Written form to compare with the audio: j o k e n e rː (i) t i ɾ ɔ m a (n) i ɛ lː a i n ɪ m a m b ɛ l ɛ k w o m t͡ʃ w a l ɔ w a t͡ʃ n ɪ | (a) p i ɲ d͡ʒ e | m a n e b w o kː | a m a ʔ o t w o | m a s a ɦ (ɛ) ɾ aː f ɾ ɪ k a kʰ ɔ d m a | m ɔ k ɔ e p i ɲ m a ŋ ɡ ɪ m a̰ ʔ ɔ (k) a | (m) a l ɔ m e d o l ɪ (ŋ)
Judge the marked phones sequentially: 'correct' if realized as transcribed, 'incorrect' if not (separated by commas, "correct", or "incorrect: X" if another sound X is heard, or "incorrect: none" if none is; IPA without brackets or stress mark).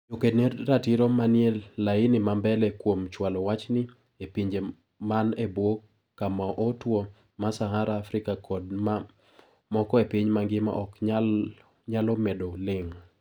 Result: incorrect: a, correct, incorrect: e, incorrect: a, correct, incorrect: ɲ, correct